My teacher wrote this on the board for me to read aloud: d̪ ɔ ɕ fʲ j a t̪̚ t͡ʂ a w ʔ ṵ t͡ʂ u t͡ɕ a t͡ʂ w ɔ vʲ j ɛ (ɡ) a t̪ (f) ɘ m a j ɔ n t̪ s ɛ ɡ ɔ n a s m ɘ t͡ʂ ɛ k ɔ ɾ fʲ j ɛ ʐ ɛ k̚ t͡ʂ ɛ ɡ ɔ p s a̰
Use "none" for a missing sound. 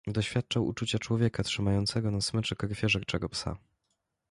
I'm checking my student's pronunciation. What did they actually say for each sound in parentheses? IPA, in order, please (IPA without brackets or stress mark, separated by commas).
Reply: k, ʂ